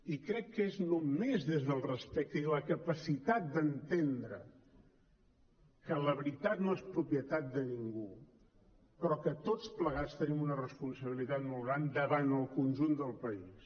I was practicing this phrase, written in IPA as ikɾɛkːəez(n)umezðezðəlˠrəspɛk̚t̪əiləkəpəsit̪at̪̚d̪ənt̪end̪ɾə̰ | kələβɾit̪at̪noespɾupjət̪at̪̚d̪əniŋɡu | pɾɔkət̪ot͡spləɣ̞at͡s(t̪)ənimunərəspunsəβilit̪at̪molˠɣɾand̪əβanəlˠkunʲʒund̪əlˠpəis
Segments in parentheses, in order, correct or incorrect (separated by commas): correct, correct